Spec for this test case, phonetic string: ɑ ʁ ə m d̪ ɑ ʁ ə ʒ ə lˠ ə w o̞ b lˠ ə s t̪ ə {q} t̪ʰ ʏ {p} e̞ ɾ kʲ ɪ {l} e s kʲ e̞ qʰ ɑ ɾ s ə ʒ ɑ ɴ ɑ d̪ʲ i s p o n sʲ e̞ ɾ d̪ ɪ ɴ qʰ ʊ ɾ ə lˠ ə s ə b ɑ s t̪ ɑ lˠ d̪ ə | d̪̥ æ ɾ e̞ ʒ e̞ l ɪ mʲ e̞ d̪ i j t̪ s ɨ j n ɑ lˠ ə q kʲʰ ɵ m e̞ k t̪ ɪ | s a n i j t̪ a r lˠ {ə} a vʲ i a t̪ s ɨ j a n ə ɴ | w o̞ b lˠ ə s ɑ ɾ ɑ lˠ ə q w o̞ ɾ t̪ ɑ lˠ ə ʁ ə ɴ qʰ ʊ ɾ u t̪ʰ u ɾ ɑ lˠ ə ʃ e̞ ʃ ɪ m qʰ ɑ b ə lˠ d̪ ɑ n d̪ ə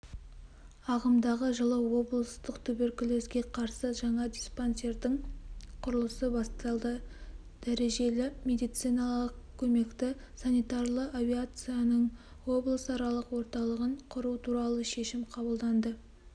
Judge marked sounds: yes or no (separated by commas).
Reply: yes, no, yes, yes